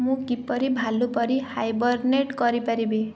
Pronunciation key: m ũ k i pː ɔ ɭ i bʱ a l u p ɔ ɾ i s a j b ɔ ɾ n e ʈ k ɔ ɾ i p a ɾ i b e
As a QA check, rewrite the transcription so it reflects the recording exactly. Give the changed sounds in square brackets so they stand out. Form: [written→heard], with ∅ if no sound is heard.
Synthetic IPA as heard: m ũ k i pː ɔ [ɭ→ɾ] i bʱ a l u p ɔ ɾ i [s→h] a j b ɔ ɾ n e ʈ k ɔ ɾ i p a ɾ i b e